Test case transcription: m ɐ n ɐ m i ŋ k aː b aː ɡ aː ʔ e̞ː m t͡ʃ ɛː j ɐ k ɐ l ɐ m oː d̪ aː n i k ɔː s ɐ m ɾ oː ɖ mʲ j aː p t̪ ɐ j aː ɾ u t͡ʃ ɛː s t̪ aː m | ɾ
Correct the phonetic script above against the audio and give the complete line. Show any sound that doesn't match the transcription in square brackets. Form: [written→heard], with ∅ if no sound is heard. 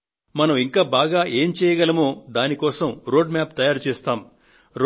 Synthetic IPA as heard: m ɐ n ɐ m i ŋ k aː b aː ɡ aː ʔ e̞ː m t͡ʃ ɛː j ɐ [k→ɡ] ɐ l ɐ m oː d̪ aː n i k ɔː s ɐ m ɾ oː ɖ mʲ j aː p t̪ ɐ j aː ɾ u t͡ʃ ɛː s t̪ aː m | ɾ